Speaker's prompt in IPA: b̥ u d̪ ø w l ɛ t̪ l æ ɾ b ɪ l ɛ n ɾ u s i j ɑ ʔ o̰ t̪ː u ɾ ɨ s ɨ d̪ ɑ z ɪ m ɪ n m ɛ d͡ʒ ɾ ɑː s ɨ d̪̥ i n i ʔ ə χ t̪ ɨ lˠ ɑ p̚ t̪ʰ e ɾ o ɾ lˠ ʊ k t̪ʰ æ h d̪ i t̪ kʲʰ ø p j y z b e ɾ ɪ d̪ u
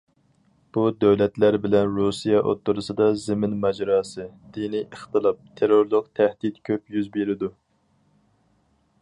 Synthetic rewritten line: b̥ u d̪ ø w l ɛ t̪ l æ ɾ b ɪ l ɛ n ɾ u s i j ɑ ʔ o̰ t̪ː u ɾ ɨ s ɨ d̪ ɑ z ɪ m ɪ n m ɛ d͡ʒ ɾ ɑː s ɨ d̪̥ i n i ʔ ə χ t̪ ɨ lˠ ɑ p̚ t̪ʰ e ɾ o ɾ lˠ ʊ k t̪ʰ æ h d̪ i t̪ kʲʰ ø p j y z b e ɾ ɪ d̪ u